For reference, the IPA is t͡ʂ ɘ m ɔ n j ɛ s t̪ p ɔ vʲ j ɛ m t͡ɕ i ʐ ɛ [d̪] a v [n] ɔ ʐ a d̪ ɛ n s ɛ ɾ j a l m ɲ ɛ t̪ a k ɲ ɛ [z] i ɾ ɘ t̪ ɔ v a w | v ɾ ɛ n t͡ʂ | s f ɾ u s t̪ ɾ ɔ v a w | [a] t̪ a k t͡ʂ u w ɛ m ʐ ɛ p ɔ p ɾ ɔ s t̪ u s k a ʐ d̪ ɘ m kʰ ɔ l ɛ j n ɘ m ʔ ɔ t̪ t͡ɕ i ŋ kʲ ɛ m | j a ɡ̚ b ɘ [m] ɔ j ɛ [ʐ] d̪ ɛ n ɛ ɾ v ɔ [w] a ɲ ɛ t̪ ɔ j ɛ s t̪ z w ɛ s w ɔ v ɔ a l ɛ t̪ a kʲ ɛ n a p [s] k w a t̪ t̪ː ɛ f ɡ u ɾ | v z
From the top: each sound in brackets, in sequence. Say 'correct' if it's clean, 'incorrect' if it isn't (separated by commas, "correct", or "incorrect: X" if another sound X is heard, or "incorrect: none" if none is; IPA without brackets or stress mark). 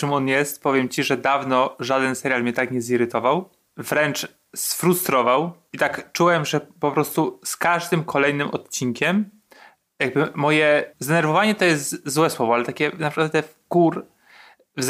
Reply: correct, correct, correct, incorrect: i, correct, incorrect: z, incorrect: v, incorrect: ʂ